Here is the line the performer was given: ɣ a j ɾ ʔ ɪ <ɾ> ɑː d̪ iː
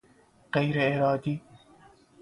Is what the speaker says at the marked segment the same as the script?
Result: yes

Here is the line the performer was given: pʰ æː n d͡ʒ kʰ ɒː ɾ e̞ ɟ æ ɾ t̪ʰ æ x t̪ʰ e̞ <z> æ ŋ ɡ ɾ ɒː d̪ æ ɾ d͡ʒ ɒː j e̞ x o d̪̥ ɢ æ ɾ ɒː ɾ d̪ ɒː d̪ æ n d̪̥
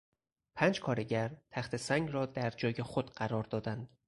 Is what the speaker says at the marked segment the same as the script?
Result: no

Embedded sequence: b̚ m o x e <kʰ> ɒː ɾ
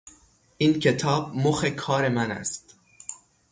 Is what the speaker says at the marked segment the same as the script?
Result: yes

